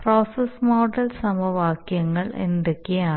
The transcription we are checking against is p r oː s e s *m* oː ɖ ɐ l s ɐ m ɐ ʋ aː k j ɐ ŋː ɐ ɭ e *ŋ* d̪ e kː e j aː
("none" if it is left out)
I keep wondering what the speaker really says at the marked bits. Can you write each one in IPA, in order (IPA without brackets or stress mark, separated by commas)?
m, n